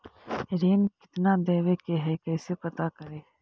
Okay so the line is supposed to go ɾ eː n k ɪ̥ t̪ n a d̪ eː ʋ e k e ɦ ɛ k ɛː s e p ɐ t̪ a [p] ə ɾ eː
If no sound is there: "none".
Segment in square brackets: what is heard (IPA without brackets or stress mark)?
k